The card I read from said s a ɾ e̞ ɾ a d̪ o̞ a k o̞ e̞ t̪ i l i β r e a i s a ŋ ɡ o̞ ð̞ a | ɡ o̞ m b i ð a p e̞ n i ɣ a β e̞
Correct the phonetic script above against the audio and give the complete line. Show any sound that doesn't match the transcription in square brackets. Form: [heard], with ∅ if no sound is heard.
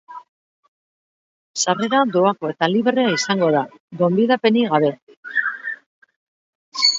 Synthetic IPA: s a [r] e̞ ɾ a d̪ o̞ a k o̞ e̞ t̪ [a] l i β r e a i s a ŋ ɡ o̞ ð̞ a | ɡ o̞ m b i ð a p e̞ n i ɣ a β e̞